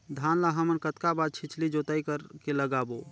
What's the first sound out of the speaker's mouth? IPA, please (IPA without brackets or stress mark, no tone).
d̪ʱ